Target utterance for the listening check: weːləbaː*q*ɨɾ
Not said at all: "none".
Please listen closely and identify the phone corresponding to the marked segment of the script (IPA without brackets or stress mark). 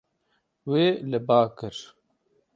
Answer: k